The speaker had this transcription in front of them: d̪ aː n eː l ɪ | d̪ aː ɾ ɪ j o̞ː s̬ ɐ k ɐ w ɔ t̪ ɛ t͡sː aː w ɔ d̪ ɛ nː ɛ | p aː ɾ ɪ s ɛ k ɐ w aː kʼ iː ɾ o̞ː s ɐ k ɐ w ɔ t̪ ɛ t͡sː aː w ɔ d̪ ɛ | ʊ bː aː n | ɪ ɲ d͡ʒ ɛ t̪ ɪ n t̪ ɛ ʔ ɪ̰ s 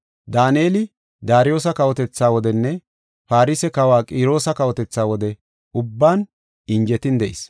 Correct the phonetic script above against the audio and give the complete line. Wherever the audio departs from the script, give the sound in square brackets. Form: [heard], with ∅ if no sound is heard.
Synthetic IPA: d̪ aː n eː l ɪ | d̪ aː ɾ ɪ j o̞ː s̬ ɐ k ɐ w ɔ t̪ ɛ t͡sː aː w ɔ d̪ ɛ nː ɛ | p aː ɾ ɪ s ɛ k ɐ w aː kʼ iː ɾ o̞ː s ɐ k ɐ w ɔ t̪ ɛ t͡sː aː w ɔ d̪ ɛ | ʊ bː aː n | ɪ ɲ d͡ʒ ɛ t̪ ɪ n [d̪] ɛ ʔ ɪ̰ s